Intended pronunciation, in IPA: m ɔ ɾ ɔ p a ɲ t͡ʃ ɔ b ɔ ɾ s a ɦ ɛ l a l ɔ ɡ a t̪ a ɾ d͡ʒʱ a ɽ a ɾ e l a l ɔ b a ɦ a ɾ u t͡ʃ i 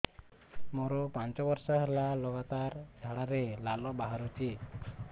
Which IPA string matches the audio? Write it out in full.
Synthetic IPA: m ɔ ɾ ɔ p a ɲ t͡ʃ ɔ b ɔ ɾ s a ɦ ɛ l a l ɔ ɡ a t̪ a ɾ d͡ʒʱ a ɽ a ɾ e l a l ɔ b a ɦ a ɾ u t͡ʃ i